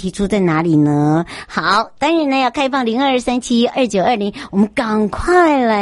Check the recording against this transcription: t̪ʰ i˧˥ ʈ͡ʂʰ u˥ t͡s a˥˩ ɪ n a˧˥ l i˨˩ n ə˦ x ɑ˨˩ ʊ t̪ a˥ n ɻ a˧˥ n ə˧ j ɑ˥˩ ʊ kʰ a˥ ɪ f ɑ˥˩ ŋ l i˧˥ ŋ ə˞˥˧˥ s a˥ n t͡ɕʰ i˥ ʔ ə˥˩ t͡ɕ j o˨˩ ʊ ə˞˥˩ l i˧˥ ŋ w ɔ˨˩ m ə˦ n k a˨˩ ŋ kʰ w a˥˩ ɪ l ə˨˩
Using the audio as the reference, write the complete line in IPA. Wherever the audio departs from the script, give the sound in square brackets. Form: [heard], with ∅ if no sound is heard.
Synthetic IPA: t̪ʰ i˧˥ ʈ͡ʂʰ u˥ t͡s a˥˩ ɪ n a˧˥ l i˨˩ n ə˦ x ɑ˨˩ ʊ t̪ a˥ n ɻ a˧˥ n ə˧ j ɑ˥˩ ʊ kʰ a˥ ɪ f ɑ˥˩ ŋ l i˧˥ ŋ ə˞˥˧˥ s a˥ n t͡ɕʰ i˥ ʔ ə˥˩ t͡ɕ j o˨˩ ʊ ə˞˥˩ l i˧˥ ŋ w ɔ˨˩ m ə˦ n k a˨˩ ŋ kʰ w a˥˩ ɪ l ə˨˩